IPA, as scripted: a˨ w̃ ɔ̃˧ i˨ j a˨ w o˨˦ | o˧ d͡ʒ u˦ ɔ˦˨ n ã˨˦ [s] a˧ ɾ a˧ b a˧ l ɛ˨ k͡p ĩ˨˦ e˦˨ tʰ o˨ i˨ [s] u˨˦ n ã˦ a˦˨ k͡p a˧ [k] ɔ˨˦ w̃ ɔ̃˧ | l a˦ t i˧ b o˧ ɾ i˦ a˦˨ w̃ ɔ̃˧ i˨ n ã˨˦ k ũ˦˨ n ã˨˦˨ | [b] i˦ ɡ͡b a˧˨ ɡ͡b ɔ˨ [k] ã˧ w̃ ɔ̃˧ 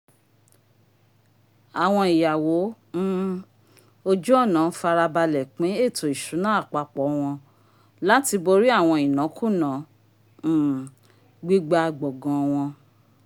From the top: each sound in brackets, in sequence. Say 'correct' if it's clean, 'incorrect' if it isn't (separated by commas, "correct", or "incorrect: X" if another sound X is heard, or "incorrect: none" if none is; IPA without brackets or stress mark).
incorrect: f, incorrect: ʃ, incorrect: k͡p, incorrect: ɡ͡b, incorrect: ɡ